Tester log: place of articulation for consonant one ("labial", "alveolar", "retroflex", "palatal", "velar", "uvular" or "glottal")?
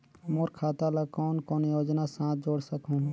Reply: labial